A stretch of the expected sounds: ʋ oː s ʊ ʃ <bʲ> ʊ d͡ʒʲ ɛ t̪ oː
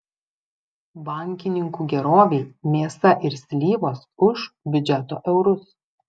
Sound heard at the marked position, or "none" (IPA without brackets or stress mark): bʲ